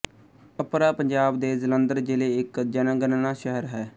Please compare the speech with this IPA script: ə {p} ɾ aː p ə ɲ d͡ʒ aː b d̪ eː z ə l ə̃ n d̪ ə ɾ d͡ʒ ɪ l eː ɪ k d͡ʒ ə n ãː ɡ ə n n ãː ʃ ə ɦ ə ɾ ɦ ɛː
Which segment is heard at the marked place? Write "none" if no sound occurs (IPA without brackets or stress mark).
p